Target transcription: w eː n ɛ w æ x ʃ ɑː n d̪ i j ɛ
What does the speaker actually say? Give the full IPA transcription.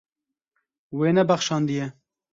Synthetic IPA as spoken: w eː n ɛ b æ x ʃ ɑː n d̪ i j ɛ